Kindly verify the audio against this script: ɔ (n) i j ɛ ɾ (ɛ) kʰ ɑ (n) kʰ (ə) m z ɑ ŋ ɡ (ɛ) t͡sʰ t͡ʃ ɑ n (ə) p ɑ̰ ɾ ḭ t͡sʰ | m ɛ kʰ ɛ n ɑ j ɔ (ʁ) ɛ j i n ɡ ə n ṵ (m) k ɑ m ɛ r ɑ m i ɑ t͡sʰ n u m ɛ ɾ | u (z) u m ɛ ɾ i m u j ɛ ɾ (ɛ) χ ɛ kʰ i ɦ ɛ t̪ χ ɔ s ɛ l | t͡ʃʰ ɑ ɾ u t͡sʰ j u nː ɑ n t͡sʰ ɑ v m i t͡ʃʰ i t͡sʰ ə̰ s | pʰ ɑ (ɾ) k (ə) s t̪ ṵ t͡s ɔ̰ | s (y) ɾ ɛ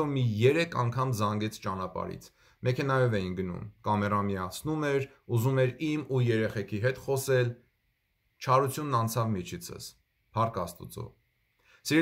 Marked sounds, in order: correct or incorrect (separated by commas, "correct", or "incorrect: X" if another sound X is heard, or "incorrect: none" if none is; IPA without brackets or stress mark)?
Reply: incorrect: m, correct, incorrect: ŋ, incorrect: ɑ, correct, incorrect: ɑ, incorrect: v, correct, correct, correct, correct, incorrect: ɑ, incorrect: i